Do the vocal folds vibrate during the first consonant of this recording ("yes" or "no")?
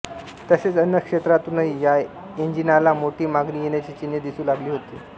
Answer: no